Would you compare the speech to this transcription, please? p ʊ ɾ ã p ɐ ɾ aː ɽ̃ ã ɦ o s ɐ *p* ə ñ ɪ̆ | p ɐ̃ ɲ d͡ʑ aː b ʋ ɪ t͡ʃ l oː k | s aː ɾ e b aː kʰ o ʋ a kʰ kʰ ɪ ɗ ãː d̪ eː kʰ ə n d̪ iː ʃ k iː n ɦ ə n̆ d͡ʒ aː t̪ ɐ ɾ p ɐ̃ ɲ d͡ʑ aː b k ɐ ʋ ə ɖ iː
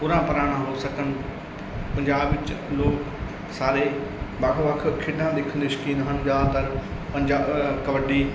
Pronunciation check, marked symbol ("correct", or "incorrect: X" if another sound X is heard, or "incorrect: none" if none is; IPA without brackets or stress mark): incorrect: k